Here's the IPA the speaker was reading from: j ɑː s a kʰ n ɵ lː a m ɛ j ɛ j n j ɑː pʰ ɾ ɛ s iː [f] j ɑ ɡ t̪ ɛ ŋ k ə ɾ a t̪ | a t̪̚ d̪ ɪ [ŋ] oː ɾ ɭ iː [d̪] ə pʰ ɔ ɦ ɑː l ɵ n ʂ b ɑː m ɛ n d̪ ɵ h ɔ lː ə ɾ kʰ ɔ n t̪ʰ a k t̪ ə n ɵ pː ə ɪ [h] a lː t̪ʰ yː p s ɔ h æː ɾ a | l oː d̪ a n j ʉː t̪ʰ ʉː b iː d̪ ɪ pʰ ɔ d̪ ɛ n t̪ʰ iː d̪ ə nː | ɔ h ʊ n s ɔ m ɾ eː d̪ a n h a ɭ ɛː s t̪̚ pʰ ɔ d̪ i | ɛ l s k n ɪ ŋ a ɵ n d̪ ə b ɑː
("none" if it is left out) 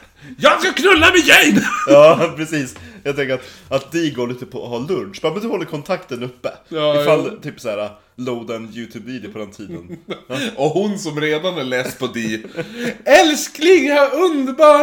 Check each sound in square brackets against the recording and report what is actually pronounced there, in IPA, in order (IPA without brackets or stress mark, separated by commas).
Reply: s, ɡ, t̪, f